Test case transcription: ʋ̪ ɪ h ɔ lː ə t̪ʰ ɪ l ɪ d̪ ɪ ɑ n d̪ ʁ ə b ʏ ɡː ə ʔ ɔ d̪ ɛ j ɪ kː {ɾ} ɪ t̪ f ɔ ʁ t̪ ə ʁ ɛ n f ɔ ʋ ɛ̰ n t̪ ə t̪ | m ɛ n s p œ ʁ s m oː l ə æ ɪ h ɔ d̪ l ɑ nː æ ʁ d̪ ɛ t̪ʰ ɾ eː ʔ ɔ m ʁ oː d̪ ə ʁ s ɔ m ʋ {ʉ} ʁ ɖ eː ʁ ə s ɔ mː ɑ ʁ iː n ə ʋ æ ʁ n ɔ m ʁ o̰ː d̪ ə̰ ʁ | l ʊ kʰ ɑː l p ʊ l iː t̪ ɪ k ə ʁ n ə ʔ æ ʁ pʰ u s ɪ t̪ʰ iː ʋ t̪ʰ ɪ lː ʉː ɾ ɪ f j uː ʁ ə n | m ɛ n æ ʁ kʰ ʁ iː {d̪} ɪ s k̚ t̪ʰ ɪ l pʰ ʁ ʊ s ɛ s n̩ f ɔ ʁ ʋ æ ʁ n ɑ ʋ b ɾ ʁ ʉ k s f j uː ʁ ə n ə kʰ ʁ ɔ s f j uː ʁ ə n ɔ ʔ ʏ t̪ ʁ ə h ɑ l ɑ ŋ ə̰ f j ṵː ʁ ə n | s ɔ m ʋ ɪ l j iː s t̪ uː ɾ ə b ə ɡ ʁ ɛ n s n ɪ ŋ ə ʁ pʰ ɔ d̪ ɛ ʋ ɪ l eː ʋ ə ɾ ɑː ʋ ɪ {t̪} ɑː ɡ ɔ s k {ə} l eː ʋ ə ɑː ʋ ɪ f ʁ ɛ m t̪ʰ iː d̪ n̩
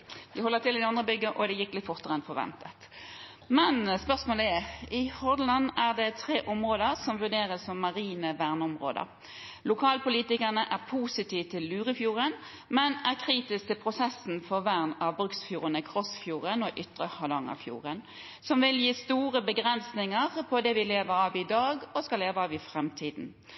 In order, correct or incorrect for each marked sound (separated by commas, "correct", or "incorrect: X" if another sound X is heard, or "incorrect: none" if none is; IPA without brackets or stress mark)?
incorrect: l, correct, incorrect: t̪, incorrect: d̪, incorrect: ɑ